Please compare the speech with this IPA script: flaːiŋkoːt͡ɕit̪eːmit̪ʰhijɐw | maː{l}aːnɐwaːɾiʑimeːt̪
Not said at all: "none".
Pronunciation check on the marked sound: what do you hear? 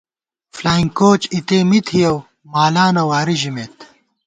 l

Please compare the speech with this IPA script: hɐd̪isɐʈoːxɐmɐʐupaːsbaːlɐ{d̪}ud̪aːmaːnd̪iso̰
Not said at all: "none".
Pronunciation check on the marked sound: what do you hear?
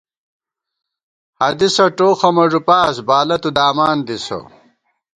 t̪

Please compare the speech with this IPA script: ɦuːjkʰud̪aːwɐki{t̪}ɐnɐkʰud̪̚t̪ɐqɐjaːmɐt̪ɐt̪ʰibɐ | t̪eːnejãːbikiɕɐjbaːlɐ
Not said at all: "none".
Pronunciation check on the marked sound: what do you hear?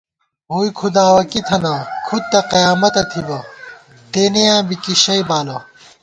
t̪ʰ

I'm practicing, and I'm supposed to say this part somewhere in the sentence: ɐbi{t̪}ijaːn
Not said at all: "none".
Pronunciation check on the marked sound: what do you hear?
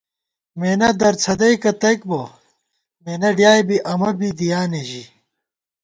d̪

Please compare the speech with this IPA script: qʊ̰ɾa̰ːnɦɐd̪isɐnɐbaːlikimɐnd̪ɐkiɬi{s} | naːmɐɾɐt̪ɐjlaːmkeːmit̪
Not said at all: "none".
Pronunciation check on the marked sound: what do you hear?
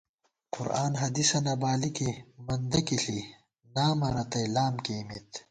none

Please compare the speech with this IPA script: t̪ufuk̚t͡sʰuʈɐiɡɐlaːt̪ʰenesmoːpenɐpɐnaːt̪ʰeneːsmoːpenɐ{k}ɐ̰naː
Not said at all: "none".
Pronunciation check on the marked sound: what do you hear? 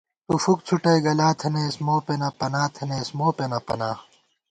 p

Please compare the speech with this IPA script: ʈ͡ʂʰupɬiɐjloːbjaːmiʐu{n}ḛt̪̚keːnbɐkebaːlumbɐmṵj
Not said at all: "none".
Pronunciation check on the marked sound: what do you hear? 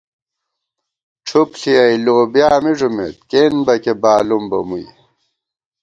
m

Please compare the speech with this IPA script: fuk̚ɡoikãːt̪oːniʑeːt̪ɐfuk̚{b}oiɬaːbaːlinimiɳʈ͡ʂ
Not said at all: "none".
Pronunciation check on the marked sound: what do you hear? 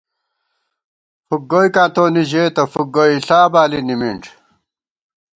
ɡ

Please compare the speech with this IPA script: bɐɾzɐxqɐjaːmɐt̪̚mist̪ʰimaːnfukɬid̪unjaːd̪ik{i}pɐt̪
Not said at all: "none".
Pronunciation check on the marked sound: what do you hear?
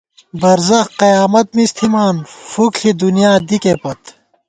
e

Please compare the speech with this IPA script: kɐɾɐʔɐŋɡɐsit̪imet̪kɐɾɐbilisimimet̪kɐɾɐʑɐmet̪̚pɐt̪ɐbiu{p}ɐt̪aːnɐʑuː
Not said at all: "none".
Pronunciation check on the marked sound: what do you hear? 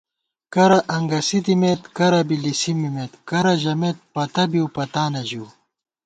p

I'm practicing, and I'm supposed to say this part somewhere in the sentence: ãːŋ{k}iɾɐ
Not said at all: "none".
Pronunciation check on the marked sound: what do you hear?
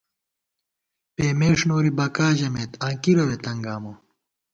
k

